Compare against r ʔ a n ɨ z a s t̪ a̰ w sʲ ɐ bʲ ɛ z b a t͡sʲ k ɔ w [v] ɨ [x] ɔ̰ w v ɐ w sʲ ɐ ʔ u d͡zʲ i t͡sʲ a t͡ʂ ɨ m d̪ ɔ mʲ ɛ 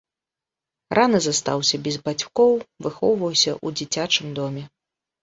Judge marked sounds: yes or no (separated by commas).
yes, yes